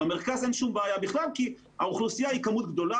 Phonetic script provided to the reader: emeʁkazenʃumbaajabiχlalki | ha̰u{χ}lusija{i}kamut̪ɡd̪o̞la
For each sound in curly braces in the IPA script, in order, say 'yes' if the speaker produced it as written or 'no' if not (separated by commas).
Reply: yes, yes